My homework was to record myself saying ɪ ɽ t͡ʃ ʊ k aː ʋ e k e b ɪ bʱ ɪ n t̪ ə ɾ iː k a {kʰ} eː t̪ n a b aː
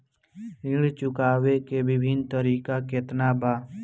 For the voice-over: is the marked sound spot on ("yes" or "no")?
no